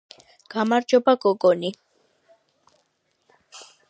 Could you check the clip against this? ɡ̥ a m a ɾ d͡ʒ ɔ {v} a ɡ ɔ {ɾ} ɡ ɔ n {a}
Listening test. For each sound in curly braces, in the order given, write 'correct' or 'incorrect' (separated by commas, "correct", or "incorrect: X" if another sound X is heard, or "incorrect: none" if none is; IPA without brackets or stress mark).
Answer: incorrect: b, incorrect: none, incorrect: i